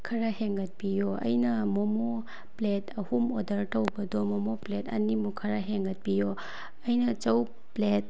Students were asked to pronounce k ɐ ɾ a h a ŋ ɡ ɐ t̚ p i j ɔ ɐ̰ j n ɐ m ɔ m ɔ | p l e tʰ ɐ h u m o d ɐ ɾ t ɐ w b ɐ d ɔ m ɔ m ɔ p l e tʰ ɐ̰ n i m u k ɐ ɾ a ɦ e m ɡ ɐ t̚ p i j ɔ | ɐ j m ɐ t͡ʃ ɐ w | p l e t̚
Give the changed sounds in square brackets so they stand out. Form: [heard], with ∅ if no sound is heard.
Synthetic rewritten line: [kʰ] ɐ ɾ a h [e] ŋ ɡ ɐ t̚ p i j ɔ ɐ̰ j n ɐ m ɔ m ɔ | p l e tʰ ɐ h u m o d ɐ ɾ t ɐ w b ɐ d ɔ m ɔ m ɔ p l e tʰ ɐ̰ n i m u [kʰ] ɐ ɾ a ɦ e [ŋ] ɡ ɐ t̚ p i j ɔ | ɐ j [n] ɐ t͡ʃ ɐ w | p l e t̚